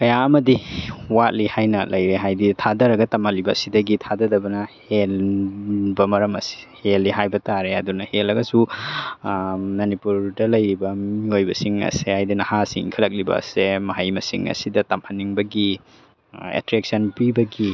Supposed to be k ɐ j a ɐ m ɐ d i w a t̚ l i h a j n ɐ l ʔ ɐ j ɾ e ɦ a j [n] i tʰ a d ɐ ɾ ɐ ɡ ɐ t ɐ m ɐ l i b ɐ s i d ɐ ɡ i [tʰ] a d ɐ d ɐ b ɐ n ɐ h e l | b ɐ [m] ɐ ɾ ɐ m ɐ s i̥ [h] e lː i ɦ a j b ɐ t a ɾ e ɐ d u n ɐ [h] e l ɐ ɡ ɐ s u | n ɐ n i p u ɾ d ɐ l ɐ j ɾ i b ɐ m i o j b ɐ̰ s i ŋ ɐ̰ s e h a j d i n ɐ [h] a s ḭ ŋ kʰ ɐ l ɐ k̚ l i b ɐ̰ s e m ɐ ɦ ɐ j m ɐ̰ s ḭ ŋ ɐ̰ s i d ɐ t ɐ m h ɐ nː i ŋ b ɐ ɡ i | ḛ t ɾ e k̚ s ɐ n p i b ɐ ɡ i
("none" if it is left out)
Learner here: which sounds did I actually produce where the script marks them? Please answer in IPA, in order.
d, tʰ, m, h, h, h

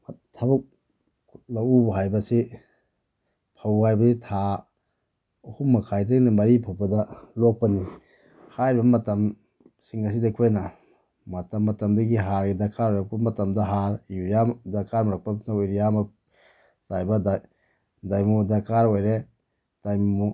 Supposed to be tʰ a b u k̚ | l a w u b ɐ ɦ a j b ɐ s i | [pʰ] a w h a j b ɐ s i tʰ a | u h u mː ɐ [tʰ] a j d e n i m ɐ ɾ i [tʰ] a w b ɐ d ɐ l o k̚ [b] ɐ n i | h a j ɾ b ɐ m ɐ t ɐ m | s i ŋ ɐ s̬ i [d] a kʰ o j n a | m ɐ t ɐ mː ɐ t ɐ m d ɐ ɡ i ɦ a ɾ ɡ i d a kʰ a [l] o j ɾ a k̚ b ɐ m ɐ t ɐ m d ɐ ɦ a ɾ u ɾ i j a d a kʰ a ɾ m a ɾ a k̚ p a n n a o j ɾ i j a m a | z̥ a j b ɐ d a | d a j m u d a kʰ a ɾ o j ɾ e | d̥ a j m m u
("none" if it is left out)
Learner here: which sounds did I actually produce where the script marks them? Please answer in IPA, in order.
pʰ, kʰ, pʰ, p, d, ɾ

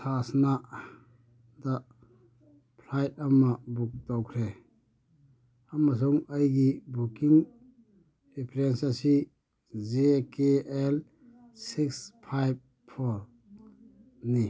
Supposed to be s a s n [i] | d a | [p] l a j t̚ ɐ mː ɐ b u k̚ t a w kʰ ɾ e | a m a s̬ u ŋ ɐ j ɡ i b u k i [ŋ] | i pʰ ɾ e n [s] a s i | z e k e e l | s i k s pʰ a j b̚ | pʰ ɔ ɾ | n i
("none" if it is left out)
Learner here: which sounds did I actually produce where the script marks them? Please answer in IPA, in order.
a, pʰ, ŋ, s

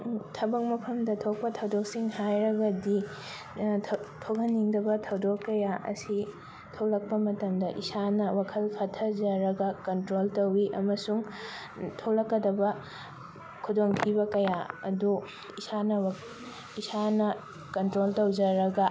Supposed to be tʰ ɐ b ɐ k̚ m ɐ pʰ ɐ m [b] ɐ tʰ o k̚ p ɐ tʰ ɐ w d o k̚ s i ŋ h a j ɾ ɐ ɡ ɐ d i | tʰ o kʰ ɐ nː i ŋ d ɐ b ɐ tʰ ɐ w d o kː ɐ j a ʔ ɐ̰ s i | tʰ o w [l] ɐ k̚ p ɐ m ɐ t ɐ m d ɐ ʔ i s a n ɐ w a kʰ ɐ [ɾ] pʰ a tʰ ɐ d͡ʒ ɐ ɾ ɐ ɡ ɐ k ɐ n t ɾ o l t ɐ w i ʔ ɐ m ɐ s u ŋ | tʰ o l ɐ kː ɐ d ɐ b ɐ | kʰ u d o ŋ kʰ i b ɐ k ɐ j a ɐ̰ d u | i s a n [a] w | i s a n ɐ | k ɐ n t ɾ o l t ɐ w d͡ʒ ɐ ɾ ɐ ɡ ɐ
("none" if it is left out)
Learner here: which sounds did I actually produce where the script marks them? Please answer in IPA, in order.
d, l, l, ɐ

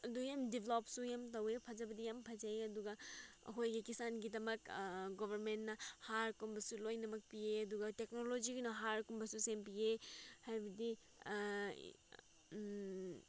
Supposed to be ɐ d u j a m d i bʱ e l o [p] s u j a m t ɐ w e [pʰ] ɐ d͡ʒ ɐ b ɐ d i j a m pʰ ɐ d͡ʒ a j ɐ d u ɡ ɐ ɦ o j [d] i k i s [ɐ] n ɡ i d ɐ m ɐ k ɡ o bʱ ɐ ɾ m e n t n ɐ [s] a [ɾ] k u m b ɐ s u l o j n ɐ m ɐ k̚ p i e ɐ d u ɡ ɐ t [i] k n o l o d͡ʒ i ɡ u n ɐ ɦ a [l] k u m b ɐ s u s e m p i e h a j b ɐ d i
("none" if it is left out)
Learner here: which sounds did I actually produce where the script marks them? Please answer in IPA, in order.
p, pʰ, ɡ, a, h, ɾ, e, ɾ

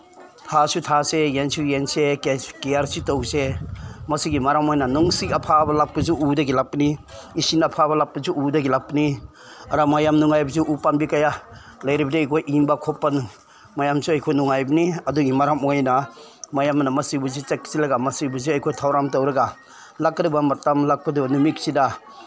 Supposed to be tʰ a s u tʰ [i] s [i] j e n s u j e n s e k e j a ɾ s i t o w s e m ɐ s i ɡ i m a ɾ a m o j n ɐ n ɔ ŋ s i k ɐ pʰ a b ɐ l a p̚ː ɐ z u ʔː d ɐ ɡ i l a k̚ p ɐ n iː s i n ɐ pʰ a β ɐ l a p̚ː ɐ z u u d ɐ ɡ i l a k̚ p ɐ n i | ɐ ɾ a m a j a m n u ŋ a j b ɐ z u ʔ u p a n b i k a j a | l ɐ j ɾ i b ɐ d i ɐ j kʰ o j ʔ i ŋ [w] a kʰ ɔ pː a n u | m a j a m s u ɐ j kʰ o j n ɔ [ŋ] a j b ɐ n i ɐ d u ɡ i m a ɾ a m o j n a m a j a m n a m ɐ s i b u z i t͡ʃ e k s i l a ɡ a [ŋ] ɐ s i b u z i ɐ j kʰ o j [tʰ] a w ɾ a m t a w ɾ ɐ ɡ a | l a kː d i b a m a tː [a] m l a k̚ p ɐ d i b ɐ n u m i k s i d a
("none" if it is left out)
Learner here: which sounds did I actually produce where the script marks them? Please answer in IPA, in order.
a, e, b, ŋ, m, tʰ, a

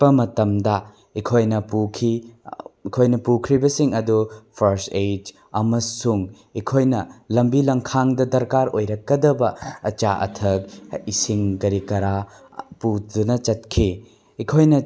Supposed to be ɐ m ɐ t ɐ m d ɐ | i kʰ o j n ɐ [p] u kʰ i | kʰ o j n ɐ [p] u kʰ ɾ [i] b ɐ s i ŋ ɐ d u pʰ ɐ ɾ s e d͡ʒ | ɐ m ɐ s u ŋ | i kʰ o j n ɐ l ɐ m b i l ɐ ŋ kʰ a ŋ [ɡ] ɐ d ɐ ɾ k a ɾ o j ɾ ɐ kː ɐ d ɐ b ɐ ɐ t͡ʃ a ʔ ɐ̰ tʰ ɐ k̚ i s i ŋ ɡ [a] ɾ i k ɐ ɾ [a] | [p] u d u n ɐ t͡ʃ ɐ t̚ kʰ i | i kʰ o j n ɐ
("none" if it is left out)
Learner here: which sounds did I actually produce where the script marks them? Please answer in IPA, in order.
p, p, i, d, ɐ, a, p

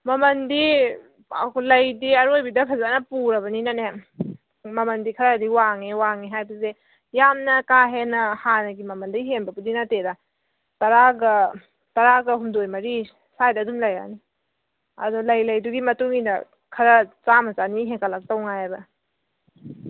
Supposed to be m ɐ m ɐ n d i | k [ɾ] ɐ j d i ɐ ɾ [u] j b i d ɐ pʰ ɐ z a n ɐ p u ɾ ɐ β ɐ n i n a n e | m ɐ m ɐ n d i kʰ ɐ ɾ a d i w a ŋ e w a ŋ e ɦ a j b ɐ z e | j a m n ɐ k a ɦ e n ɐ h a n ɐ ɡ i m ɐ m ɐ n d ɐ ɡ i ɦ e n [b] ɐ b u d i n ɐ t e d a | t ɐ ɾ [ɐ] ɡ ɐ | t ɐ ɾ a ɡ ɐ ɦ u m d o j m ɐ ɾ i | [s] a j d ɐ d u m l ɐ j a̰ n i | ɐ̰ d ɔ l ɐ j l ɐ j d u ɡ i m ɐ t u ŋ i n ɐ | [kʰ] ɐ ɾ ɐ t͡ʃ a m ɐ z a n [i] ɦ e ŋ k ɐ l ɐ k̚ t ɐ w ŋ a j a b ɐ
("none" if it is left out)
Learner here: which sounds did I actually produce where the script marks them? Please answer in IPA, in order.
l, o, b, a, s, kʰ, i

